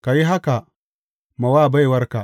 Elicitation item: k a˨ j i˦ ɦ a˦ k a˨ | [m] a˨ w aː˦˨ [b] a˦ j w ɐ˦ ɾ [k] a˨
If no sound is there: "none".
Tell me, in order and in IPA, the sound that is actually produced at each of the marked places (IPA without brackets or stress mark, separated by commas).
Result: m, b, k